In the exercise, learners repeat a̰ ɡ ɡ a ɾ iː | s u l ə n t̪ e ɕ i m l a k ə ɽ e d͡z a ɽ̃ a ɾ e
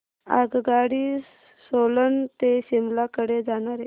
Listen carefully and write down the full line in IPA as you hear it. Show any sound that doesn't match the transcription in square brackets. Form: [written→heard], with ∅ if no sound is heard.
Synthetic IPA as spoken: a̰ ɡ ɡ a [ɾ→ɽ] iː | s [u→o] l ə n t̪ e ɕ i m l a k ə ɽ e d͡z a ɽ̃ a ɾ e